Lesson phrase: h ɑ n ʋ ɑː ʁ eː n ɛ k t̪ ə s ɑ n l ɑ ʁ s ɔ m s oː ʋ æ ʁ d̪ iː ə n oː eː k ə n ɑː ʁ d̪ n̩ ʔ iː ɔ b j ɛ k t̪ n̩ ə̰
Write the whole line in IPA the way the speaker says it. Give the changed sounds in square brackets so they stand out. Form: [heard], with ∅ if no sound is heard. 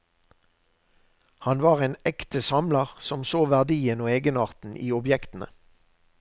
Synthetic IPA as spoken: h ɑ n ʋ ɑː ʁ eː n ɛ k t̪ ə s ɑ [m] l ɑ ʁ s ɔ m s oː ʋ æ ʁ d̪ iː ə n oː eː [ɡ] ə n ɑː ʁ [t̪] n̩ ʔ iː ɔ b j ɛ k t̪ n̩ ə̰